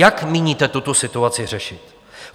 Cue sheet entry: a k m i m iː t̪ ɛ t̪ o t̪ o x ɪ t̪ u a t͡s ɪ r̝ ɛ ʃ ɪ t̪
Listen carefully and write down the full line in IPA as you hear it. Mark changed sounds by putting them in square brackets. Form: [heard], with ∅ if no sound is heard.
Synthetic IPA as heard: a k m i [ɲ] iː t̪ ɛ t̪ [u] t̪ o [s] ɪ t̪ u a t͡s ɪ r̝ ɛ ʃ ɪ t̪